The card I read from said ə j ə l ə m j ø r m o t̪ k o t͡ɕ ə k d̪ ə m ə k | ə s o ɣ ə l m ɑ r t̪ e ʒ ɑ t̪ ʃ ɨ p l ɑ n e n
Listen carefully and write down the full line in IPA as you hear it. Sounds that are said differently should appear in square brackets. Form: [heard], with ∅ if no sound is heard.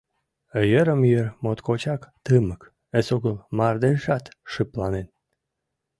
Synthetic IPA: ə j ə [ɾ] ə m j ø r m o t̪ k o t͡ɕ [ɑ] k [t̪] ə m ə k | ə s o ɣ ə l m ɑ r [d̪] e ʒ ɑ t̪ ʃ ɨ p l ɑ n e n